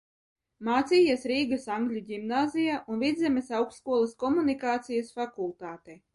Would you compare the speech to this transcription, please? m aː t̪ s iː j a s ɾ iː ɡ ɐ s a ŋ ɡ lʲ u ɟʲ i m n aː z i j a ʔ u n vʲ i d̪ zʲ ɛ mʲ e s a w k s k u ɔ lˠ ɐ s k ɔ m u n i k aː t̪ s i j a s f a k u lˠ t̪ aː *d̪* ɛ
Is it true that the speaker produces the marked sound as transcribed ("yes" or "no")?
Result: no